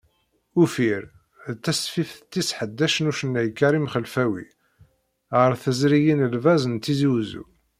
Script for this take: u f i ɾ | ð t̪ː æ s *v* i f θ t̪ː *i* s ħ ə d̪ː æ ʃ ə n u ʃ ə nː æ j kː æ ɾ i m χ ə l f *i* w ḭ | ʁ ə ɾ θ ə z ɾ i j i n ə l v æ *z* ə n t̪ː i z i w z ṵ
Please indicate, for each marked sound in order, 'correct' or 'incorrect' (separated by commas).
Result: incorrect, correct, incorrect, correct